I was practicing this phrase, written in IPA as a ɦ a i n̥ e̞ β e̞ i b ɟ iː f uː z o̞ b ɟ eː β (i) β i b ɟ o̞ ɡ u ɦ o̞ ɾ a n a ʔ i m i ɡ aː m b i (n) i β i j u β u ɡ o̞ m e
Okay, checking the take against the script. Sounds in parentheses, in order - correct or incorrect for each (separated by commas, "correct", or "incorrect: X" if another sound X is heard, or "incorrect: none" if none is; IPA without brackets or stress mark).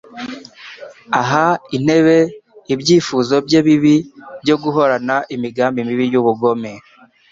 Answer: correct, incorrect: m